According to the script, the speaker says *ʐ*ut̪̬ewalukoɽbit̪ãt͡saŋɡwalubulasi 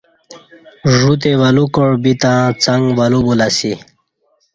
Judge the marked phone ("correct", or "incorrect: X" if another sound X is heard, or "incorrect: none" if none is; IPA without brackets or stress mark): correct